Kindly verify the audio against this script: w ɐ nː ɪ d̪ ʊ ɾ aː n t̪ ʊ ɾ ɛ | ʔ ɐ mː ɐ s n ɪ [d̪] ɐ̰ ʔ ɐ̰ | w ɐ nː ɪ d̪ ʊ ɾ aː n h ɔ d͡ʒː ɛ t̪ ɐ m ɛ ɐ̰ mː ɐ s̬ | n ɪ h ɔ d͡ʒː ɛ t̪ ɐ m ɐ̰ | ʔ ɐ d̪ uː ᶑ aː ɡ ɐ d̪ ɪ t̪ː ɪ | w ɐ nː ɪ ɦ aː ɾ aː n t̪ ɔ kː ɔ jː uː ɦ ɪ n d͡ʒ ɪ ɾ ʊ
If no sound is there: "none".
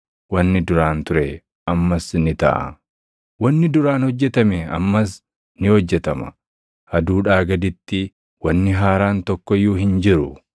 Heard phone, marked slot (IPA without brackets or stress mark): t̪